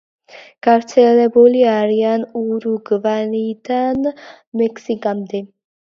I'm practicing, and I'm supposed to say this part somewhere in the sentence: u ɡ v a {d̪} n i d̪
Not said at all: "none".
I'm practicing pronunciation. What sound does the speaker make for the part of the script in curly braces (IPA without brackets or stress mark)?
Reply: none